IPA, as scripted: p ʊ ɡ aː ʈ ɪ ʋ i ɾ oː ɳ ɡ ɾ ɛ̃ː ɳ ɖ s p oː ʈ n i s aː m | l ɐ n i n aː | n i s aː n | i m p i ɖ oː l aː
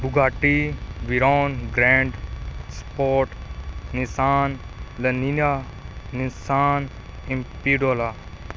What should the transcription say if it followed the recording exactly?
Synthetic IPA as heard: b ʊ ɡ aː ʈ i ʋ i ɾ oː n ɡ ɾ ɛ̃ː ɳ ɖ s p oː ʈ n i s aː n | l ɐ n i n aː | n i s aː n | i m p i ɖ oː l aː